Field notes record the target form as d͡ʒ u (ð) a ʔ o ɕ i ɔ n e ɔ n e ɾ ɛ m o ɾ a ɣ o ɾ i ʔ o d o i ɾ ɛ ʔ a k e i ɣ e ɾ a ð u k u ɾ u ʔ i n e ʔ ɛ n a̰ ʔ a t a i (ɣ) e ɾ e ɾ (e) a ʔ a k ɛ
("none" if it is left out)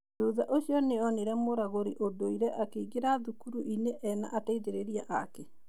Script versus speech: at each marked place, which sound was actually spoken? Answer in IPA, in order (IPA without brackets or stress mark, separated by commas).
ð, ð, i